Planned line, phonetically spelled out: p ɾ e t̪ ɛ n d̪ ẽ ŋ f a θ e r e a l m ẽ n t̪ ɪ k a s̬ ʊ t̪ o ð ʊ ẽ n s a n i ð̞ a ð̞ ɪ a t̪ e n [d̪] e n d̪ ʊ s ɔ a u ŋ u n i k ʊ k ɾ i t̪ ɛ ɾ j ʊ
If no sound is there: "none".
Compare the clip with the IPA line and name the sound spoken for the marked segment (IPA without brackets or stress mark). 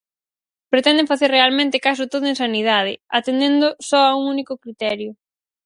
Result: d̪